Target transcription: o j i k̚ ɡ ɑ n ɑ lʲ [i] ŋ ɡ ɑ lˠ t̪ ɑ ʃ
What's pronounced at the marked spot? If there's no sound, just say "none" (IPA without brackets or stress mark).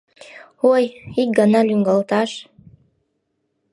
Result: y